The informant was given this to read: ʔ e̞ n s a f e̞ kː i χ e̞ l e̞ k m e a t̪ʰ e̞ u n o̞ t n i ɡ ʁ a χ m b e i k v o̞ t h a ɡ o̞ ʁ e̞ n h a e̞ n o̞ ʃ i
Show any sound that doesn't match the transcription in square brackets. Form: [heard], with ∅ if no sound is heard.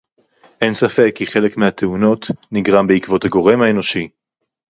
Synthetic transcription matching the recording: ʔ e̞ n s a f e̞ kː i χ e̞ l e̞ k m e a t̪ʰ e̞ u n o̞ t n i ɡ ʁ a [∅] m b e i k v o̞ t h a ɡ o̞ ʁ e̞ [m] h a e̞ n o̞ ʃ i